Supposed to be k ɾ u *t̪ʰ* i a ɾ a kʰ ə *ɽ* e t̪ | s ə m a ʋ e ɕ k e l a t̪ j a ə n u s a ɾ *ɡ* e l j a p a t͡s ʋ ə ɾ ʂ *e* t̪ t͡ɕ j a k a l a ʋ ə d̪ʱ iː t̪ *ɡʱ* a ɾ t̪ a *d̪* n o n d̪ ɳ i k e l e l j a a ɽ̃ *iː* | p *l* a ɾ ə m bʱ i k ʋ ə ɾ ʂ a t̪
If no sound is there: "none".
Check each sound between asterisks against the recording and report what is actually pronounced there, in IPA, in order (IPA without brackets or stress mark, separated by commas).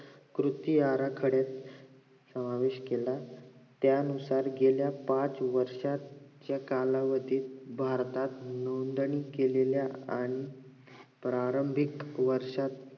t̪, ɽ, ɡ, a, bʱ, t̪, i, ɾ